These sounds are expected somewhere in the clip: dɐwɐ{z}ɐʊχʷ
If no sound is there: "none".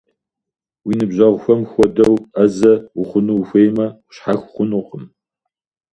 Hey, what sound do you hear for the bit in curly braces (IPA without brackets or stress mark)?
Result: z